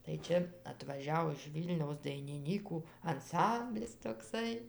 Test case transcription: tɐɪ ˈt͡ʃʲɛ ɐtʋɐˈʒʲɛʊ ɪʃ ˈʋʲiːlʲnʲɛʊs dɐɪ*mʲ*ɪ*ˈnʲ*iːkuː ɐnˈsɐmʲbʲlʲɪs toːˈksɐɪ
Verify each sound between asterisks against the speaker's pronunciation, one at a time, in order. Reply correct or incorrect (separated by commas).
incorrect, correct